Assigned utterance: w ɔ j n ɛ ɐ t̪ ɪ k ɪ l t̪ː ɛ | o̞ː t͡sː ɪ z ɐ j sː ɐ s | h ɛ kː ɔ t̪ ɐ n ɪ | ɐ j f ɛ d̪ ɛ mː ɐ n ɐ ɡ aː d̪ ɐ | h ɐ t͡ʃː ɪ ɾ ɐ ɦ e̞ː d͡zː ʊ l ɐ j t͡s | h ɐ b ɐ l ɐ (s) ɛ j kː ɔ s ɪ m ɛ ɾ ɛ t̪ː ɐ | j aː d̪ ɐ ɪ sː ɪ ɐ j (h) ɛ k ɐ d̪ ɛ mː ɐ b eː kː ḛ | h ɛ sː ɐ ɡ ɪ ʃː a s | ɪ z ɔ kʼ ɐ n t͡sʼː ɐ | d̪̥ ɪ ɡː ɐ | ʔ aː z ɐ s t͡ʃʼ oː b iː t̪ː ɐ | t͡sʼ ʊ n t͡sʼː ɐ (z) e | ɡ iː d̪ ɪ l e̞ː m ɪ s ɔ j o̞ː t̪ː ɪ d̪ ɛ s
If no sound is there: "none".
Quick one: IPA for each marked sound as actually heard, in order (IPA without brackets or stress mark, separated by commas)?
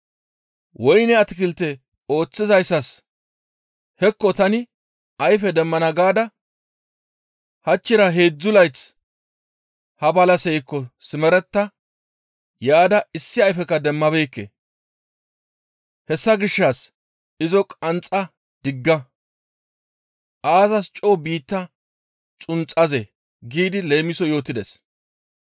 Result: s, f, z